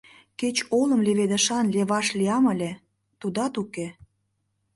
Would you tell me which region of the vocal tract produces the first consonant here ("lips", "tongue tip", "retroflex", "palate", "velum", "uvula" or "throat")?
velum